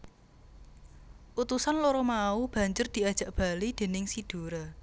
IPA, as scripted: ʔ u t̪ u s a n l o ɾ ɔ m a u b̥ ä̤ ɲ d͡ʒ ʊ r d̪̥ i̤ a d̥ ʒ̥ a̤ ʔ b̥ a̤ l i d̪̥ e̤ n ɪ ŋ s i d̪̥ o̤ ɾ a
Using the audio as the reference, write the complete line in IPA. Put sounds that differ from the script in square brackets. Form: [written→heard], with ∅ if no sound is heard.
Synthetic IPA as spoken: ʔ u t̪ u s a n l o ɾ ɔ m a u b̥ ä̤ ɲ d͡ʒ ʊ r d̪̥ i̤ a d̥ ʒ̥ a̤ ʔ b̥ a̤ l i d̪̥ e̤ n ɪ ŋ s i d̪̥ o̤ ɾ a

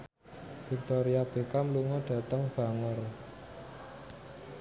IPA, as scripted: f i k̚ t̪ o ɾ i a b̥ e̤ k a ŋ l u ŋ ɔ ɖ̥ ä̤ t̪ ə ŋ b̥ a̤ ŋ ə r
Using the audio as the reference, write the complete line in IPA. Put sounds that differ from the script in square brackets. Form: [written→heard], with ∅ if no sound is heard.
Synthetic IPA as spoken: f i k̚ t̪ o ɾ i a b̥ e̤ k a [ŋ→m] l u ŋ ɔ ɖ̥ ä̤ t̪ ə ŋ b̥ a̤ ŋ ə r

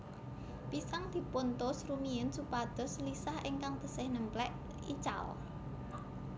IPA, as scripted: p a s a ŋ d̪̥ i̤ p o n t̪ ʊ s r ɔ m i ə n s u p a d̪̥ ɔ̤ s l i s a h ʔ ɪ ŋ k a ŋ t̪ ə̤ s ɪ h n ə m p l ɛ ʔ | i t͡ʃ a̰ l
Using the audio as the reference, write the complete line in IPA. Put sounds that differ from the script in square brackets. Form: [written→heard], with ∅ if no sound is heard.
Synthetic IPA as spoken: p [a→i] s a ŋ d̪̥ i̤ p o n t̪ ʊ s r [ɔ→u] m i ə n s u p a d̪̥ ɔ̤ s l i s a h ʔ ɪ ŋ k a ŋ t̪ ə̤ s ɪ h n ə m p l ɛ ʔ | i t͡ʃ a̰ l

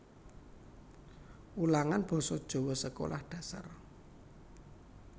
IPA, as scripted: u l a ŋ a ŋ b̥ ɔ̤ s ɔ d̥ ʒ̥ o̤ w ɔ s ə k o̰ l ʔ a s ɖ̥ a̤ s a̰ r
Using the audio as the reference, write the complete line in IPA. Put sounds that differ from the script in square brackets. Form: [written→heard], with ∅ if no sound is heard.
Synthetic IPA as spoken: u l a ŋ a [ŋ→n] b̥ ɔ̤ s ɔ d̥ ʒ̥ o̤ w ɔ s ə k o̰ l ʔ a [s→h] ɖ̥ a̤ s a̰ r

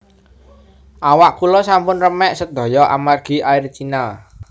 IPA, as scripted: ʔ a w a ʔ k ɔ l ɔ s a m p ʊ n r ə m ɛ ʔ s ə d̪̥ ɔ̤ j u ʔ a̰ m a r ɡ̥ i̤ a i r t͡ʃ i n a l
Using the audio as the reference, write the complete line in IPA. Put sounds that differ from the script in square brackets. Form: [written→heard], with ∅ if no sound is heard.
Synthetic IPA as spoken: ʔ a w a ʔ k [ɔ→u] l ɔ s a m p ʊ n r ə m ɛ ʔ s ə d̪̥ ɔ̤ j [u→ɔ] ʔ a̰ m a r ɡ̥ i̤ a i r t͡ʃ i n a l

